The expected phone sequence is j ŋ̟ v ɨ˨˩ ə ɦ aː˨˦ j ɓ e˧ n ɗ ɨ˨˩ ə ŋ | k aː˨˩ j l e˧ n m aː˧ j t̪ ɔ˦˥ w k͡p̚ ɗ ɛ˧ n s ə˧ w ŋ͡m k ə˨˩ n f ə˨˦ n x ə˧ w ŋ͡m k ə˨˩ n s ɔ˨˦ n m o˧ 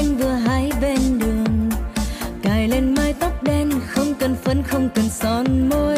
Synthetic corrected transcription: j ŋ̟ v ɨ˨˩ ə ɦ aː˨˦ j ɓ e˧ n ɗ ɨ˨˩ ə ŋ | k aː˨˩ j l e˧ n m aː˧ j t̪ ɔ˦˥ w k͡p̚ ɗ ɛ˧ n x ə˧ w ŋ͡m k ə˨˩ n f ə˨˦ n x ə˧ w ŋ͡m k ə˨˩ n s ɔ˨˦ n m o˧